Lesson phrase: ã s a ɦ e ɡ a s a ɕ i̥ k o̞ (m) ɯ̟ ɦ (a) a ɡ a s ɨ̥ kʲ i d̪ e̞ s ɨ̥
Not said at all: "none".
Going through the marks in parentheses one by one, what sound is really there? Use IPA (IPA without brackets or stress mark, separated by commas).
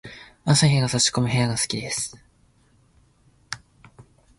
m, e